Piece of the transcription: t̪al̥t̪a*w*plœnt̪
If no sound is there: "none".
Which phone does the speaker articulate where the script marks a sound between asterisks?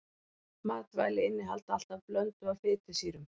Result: v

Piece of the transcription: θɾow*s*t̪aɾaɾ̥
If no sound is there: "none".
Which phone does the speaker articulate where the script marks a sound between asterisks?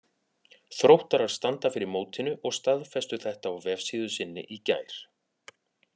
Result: h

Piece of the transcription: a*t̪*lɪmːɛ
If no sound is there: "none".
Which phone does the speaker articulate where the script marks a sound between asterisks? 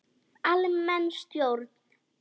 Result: none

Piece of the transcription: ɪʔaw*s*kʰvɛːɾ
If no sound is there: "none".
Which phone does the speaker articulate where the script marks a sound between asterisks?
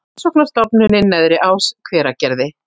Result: s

